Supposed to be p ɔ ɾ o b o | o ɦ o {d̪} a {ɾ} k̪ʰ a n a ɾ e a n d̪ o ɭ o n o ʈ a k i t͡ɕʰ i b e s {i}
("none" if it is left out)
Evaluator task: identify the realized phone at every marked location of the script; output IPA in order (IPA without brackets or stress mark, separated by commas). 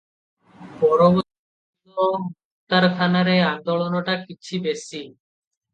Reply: t̪, ɾ, i